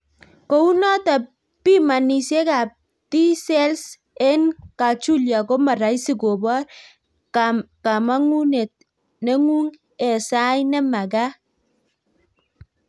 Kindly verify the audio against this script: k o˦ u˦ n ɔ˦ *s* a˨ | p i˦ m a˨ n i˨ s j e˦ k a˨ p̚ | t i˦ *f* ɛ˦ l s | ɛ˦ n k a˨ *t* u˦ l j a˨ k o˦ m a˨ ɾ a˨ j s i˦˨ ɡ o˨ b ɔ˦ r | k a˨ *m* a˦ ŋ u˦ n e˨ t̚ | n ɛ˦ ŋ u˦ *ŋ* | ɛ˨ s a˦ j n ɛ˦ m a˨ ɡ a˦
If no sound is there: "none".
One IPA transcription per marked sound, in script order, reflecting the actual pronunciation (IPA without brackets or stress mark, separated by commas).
t, s, t͡ʃ, m, ŋ